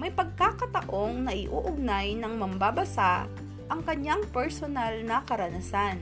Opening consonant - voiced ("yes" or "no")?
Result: yes